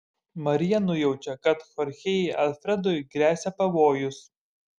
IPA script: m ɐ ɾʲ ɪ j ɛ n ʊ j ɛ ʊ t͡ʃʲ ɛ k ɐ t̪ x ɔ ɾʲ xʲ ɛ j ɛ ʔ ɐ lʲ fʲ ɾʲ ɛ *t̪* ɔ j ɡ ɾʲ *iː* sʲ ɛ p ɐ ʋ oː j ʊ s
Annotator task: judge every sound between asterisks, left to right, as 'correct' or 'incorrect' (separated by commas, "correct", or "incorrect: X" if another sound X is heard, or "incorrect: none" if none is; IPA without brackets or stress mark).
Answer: incorrect: d̪, incorrect: æː